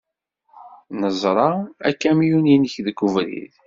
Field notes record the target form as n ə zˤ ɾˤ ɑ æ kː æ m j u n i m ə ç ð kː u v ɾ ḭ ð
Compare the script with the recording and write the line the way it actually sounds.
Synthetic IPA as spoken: n ə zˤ ɾˤ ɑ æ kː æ m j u n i n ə ç ð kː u v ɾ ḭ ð

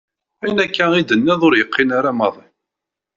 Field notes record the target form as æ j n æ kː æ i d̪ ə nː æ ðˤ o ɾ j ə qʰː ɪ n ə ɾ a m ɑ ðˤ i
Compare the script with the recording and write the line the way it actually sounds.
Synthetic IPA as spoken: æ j n æ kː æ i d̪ ə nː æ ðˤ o ɾ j ə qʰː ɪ n a ɾ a m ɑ ðˤ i

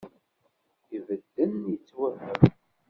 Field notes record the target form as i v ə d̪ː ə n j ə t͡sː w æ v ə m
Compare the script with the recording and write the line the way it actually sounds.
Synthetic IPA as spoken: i v ə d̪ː ə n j ə t͡sː w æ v ə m

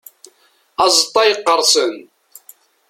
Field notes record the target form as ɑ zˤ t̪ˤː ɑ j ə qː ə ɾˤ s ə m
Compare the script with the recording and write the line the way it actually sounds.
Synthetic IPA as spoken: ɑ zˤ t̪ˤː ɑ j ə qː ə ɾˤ s ə n

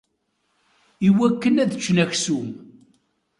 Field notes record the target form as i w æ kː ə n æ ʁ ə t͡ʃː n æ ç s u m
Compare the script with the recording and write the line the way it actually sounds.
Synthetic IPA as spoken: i w æ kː ə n æ ð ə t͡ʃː n æ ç s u m

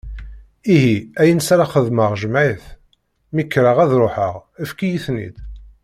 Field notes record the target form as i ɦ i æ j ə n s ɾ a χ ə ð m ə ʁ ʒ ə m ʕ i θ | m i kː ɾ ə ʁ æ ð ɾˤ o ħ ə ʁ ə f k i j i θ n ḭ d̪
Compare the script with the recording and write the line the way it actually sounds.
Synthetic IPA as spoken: i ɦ i æ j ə n s ɾ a χ ə ð m ə ʁ ʒ ə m ʕ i θ | m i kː ɾ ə ʁ æ ð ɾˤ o ħ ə ʁ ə f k i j i θ n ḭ d̪

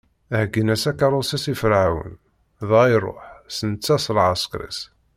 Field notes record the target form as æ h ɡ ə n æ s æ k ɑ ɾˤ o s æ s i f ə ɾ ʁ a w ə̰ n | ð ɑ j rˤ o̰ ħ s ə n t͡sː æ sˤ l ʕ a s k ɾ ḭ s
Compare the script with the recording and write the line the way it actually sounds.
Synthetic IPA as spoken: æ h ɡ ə n æ s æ k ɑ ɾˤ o s æ s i f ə ɾ ʕ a w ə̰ n | ð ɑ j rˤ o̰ ħ s ə n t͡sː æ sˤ l ʕ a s k ɾ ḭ s

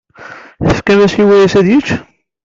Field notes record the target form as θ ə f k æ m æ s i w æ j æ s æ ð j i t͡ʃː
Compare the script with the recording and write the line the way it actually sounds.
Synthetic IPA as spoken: θ ə f k æ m æ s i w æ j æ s æ ð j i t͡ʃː

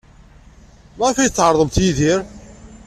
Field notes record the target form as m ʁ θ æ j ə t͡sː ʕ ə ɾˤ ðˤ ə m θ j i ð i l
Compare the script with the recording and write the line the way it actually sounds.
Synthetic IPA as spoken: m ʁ f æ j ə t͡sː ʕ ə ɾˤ ðˤ ə m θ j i ð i ɾ

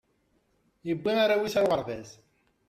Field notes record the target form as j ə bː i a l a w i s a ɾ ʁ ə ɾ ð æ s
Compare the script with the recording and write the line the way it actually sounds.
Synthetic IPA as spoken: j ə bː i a ɾ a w i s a ɾ ʁ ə ɾ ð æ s

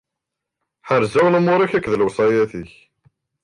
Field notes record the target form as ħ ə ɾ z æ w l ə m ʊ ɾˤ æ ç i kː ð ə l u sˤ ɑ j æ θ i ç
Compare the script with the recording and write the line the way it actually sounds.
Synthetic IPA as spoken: ħ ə ɾ z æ w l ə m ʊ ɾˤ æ ç æ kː ð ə l w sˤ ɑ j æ θ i ç

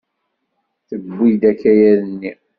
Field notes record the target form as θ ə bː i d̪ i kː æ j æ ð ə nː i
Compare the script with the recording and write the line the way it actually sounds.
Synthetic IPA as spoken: θ ə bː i d̪ æ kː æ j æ ð ə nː i

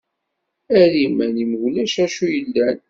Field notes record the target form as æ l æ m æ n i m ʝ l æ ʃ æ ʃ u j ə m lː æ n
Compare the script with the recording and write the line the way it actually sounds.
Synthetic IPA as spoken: æ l i m æ n i m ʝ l æ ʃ æ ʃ u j ə lː æ n

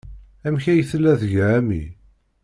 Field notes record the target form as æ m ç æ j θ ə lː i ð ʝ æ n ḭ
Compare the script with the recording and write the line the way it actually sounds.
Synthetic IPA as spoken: æ m ç æ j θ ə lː æ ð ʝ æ m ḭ

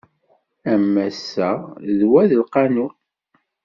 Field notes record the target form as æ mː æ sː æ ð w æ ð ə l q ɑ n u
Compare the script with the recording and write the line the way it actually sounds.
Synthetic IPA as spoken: æ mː æ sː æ ð w æ ð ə l q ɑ n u

